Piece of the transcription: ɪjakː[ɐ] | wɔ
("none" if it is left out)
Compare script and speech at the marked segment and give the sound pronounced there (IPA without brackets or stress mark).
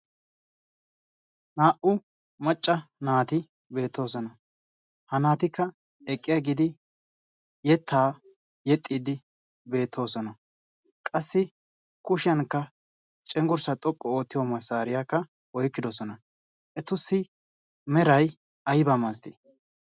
ɐ